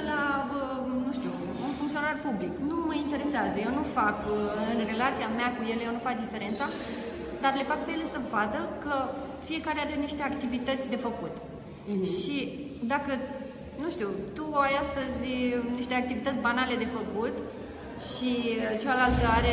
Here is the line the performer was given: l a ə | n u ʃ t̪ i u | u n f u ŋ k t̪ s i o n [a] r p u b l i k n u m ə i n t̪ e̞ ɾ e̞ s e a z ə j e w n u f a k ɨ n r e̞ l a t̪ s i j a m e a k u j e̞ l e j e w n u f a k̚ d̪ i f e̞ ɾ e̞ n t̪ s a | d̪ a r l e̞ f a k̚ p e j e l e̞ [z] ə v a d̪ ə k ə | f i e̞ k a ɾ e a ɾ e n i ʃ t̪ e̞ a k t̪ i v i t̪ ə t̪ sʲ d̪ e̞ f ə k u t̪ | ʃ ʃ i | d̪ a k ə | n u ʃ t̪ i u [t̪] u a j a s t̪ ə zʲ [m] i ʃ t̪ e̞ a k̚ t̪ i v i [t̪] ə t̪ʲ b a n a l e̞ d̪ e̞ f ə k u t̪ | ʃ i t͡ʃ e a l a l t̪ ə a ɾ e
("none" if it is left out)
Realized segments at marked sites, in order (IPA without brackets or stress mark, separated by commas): a, s, t̪, n, t̪